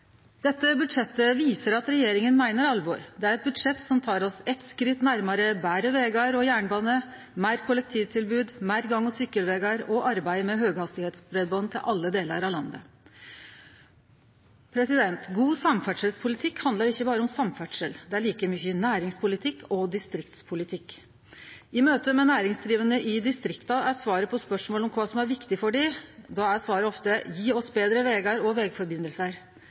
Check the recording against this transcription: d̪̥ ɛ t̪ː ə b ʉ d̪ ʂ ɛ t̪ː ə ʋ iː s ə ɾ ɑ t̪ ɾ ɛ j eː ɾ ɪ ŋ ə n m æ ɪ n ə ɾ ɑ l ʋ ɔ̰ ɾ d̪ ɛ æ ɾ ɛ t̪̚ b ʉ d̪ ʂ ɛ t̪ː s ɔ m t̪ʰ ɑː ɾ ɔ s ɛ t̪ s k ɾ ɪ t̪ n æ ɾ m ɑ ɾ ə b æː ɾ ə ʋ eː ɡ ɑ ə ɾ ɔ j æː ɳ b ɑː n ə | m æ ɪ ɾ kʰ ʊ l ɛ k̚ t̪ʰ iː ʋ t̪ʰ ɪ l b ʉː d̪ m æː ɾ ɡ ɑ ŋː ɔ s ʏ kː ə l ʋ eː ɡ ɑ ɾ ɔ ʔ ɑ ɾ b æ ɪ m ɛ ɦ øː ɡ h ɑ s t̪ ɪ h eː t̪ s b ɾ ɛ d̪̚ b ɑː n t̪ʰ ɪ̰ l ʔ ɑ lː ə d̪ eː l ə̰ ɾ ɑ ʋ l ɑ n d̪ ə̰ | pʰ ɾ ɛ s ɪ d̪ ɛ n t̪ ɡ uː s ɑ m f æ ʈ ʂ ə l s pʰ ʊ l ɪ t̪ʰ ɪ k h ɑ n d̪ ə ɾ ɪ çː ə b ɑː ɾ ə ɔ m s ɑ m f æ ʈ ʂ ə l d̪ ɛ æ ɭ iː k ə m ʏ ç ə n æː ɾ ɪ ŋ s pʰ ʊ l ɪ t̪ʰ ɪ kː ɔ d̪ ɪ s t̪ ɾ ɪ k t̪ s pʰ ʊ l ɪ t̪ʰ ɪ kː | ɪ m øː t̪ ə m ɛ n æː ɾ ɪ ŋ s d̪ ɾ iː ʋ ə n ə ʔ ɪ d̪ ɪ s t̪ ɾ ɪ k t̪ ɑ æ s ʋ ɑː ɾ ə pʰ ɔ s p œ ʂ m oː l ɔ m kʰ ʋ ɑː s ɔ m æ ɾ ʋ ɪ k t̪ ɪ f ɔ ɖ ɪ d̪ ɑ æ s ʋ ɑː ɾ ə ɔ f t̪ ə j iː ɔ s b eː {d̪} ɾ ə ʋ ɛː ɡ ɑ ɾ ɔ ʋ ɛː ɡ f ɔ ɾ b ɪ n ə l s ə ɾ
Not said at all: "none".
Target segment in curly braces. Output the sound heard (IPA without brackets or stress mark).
d̪